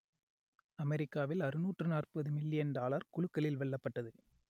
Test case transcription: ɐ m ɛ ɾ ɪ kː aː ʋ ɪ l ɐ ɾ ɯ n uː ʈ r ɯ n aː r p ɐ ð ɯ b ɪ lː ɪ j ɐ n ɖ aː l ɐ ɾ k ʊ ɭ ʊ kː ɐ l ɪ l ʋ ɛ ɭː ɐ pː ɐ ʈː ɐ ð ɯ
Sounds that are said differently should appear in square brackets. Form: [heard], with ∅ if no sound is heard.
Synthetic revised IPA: ɐ m ɛ ɾ ɪ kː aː ʋ ɪ l ɐ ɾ ɯ n uː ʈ r ɯ n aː r p ɐ ð ɯ [m] ɪ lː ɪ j ɐ n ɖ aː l ɐ ɾ k ʊ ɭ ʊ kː ɐ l ɪ l ʋ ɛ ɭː ɐ pː ɐ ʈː ɐ ð ɯ